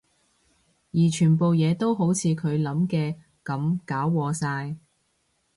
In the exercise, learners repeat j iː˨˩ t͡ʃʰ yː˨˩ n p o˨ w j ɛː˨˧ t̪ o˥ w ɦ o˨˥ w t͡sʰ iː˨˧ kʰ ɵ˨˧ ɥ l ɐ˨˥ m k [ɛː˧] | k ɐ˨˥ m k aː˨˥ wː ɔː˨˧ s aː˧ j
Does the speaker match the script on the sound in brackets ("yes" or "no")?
yes